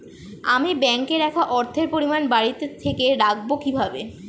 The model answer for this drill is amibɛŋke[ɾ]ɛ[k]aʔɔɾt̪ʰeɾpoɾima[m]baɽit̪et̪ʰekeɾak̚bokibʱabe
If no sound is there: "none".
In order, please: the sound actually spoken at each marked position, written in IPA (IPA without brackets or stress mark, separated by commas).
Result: ɾ, kʰ, n